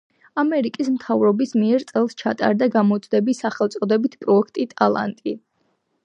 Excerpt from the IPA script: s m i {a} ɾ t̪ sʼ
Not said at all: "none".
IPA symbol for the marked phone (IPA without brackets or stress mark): ɛ